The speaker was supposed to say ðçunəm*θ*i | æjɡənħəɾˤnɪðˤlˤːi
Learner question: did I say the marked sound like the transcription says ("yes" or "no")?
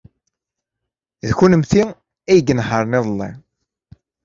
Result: yes